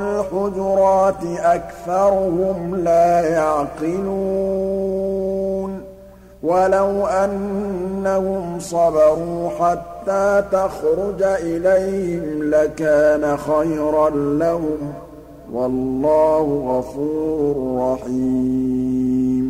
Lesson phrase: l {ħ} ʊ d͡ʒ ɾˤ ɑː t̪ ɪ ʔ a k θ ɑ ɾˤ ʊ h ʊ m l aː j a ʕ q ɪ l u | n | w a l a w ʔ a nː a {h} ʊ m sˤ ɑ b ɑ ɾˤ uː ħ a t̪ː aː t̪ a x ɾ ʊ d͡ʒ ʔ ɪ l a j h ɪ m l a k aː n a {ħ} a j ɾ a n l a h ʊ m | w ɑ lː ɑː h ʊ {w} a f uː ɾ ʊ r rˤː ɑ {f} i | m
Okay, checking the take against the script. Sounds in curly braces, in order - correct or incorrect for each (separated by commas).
correct, correct, incorrect, incorrect, incorrect